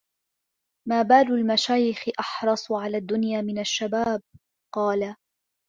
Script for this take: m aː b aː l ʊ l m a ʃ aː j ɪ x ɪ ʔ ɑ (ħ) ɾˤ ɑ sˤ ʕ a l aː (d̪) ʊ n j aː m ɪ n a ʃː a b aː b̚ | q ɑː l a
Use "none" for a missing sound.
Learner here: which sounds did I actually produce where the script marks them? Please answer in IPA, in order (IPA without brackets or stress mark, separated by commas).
ħ, d̪ː